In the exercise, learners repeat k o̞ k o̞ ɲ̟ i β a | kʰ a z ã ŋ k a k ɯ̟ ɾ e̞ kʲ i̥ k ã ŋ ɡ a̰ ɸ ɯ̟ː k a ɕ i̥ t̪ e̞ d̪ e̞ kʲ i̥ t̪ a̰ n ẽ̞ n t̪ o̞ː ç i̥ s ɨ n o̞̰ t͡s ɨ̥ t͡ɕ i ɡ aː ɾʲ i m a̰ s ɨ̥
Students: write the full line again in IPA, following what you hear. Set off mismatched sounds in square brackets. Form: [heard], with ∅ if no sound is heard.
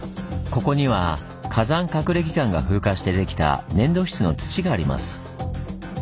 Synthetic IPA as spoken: k o̞ k o̞ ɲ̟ i β a | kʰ a z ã ŋ k a k ɯ̟ ɾ e̞ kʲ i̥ k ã ŋ ɡ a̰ ɸ ɯ̟ː k a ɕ i̥ t̪ e̞ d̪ e̞ kʲ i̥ t̪ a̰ n ẽ̞ n [d̪] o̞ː ç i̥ [t͡s] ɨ n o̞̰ t͡s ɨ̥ t͡ɕ i ɡ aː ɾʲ i m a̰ s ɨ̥